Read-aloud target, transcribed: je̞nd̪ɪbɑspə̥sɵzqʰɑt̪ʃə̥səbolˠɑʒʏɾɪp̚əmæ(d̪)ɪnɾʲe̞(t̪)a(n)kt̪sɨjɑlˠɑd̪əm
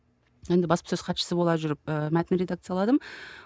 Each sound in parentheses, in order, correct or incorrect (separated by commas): incorrect, incorrect, incorrect